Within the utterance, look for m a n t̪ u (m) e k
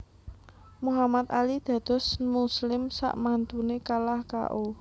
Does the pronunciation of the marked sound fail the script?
yes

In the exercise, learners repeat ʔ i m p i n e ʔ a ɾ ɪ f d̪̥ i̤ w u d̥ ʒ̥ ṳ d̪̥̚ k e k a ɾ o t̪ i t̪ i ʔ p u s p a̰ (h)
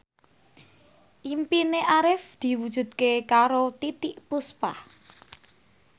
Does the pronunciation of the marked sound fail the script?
no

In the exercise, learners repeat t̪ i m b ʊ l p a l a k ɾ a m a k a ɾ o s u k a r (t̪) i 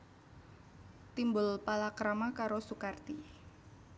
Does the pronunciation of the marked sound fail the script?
no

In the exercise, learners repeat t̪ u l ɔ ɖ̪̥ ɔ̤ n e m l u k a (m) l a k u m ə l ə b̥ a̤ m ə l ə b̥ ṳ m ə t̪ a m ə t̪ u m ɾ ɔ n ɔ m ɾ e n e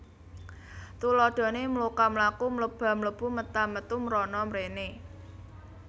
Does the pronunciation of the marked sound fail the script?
no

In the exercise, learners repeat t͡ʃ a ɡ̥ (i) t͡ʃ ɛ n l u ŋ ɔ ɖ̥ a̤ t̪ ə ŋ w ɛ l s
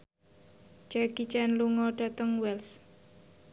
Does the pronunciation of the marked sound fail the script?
no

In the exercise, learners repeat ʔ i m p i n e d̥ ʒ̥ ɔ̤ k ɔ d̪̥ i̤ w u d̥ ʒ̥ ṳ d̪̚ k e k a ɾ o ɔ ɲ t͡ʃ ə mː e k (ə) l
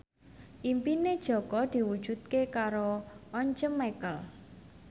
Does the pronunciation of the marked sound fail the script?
no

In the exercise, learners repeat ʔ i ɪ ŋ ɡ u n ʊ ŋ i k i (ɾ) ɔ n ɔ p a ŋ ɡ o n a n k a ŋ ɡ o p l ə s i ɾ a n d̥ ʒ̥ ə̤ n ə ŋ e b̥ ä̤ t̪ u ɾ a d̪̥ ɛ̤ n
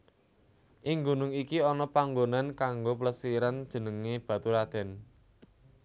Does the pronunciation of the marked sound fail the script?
yes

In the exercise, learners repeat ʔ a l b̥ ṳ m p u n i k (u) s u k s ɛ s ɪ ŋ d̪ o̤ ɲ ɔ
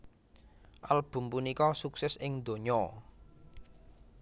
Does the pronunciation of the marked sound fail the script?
yes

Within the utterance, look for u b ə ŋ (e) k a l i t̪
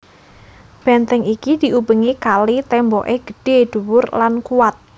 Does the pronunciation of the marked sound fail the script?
yes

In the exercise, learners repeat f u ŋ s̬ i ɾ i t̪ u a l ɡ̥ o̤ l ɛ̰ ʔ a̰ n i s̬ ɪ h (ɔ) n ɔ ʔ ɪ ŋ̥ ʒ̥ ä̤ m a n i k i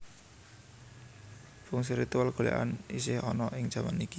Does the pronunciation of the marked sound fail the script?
no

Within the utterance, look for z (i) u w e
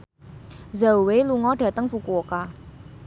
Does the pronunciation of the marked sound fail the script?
yes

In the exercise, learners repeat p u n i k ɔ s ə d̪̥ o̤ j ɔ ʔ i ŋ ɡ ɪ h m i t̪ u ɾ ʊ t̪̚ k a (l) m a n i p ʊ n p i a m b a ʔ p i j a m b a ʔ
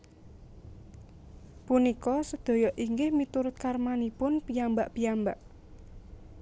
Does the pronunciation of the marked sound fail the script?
yes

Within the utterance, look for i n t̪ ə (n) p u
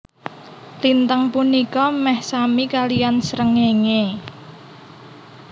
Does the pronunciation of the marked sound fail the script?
yes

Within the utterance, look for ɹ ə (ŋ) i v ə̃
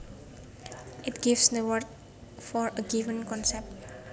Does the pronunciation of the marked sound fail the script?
yes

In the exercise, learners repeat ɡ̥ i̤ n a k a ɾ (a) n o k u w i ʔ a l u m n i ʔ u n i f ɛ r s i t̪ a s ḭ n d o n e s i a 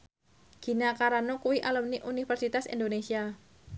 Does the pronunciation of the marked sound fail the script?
no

